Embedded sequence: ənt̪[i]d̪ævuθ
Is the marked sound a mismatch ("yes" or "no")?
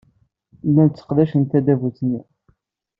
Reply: yes